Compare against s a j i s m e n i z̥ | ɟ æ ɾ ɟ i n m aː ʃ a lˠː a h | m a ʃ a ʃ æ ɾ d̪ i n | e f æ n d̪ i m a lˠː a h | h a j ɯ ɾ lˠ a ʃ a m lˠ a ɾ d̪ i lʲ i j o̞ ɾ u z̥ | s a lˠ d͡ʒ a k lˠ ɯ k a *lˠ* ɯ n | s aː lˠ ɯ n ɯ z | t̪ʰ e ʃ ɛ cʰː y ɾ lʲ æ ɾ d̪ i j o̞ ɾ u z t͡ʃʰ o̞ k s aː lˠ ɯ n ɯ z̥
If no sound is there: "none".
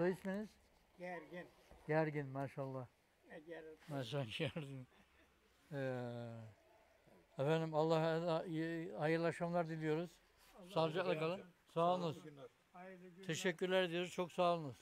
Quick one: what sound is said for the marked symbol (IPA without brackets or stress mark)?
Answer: lˠ